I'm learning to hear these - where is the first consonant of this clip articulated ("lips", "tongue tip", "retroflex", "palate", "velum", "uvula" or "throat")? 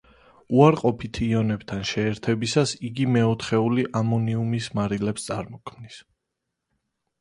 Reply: tongue tip